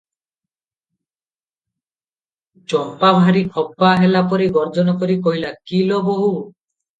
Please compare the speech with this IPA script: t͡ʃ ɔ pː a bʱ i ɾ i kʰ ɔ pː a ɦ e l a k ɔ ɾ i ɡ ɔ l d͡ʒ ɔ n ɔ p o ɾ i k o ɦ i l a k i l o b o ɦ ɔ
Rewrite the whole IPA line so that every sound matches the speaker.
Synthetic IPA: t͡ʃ ɔ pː a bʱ a ɾ i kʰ ɔ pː a ɦ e l a p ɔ ɾ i ɡ ɔ ɾ d͡ʒ ɔ n ɔ k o ɾ i k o ɦ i l a k i l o b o ɦ u